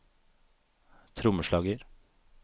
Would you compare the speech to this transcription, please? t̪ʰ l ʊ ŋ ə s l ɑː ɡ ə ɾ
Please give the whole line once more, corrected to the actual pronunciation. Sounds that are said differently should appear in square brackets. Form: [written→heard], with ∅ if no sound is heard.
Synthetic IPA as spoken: t̪ʰ [l→ɾ] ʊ [ŋ→m] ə [s→ʃ] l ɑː ɡ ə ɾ